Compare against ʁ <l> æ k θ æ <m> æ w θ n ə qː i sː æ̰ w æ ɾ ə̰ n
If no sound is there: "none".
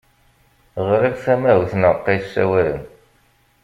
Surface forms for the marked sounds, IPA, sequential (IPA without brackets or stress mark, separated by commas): ɾ, m